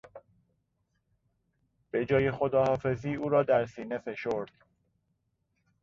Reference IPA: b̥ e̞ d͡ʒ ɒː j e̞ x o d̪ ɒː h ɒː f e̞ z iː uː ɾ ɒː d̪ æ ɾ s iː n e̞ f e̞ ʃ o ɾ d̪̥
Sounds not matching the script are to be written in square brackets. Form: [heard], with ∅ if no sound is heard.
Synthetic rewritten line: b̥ e̞ d͡ʒ ɒː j e̞ x o d̪ ɒː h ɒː f e̞ z iː uː ɾ ɒː d̪ æ ɾ s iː n e̞ f e̞ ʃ o ɾ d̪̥